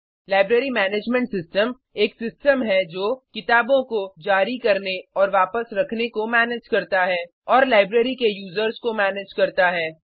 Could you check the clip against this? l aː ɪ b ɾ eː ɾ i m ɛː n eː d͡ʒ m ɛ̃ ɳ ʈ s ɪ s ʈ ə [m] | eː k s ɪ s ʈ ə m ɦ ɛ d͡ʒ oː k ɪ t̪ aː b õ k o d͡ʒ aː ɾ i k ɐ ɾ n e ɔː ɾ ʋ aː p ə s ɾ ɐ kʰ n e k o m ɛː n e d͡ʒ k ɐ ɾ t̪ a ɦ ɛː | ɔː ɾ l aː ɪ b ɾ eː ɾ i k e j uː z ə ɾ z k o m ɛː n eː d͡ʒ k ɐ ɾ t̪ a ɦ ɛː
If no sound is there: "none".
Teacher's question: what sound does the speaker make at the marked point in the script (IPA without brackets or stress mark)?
m